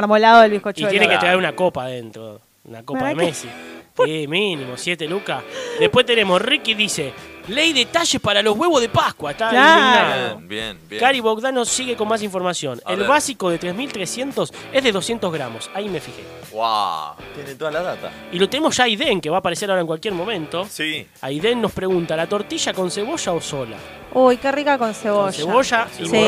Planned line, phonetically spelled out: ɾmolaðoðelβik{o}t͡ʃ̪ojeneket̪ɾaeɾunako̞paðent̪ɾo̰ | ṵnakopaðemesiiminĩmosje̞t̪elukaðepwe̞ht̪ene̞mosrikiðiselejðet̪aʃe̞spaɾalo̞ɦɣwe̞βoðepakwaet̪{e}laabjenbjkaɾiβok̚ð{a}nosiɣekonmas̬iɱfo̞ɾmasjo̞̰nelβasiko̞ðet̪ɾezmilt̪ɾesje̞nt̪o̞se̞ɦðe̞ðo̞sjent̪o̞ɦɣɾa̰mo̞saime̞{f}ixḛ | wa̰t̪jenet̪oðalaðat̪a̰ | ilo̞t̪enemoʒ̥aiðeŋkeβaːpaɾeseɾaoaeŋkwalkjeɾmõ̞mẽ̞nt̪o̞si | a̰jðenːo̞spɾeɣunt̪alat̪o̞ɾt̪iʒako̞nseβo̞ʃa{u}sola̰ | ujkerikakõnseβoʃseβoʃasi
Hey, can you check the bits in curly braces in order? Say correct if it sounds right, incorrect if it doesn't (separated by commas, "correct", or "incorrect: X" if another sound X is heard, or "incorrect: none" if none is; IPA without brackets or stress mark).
correct, incorrect: a, correct, correct, incorrect: o